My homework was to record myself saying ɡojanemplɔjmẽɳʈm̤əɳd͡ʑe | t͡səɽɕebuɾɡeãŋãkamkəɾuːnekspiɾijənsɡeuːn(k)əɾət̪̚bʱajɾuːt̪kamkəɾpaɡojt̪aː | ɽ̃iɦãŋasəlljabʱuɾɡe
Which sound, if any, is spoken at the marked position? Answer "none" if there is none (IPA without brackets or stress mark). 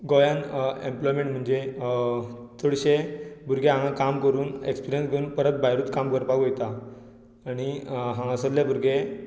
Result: p